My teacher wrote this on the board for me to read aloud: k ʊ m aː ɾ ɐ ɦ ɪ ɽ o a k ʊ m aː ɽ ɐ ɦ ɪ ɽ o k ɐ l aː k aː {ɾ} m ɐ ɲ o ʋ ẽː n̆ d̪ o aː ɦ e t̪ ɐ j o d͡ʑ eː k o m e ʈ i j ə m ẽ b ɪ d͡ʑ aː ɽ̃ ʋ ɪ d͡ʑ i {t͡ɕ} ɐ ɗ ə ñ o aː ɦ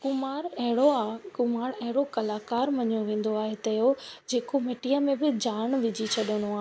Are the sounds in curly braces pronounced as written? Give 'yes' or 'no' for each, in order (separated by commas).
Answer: yes, no